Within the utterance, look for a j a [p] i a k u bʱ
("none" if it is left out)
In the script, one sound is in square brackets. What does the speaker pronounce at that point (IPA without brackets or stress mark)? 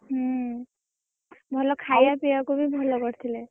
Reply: p